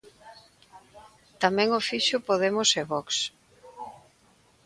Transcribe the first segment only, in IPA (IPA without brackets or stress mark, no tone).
t̪